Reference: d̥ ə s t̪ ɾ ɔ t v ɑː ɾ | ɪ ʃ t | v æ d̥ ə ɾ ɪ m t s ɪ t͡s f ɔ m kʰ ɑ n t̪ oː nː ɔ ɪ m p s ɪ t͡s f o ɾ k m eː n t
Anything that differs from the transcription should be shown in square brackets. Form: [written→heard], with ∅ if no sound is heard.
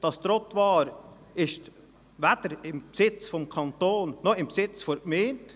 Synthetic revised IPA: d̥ [ə→ɑ] s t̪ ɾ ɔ t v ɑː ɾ | ɪ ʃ t | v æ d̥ ə ɾ ɪ m [t→p] s ɪ t͡s f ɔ m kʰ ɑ n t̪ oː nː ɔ ɪ m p s ɪ t͡s f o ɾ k m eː n t